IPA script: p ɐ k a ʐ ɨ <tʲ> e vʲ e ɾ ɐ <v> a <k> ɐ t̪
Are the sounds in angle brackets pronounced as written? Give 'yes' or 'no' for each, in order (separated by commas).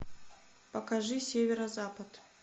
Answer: no, no, no